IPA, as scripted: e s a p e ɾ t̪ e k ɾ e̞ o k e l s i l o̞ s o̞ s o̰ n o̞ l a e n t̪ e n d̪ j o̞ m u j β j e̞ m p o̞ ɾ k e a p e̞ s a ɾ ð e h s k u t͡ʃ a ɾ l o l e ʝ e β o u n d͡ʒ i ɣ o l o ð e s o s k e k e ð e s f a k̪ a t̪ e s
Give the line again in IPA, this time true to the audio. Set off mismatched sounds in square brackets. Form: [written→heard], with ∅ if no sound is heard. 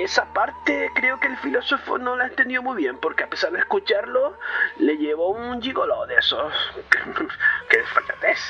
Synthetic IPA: e s a p [e→a] ɾ t̪ e k ɾ e̞ o k e l [s→f] i l o̞ s o̞ [s→f] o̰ n o̞ l a e n t̪ e n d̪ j o̞ m u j β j e̞ m p o̞ ɾ k e a p e̞ s a ɾ ð e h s k u t͡ʃ a ɾ l o l e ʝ e β o u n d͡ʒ i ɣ o l o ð e s o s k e k e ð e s f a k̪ a t̪ e s